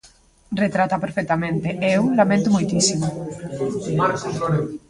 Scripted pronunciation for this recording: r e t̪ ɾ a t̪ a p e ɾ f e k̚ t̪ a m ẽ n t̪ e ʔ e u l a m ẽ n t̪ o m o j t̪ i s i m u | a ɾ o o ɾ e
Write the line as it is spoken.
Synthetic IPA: r e t̪ ɾ a t̪ a p e ɾ f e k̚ t̪ a m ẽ n t̪ e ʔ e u l a m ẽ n t̪ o m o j t̪ i s i m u | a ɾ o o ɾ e

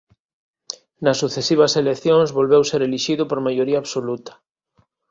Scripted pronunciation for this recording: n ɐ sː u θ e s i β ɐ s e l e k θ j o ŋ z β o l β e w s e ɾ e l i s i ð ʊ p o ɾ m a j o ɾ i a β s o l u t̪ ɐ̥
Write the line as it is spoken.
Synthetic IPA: n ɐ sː u θ e s i β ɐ s e l e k θ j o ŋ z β o l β e w s e ɾ e l i ʃ i ð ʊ p o ɾ m a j o ɾ i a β s o l u t̪ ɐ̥

